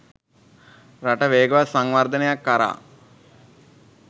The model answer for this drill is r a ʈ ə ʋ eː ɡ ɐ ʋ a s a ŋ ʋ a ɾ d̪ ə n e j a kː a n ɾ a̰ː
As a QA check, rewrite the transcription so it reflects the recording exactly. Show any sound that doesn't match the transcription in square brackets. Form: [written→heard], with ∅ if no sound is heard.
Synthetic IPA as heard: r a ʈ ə ʋ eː ɡ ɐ ʋ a s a ŋ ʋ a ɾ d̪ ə n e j a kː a [n→∅] ɾ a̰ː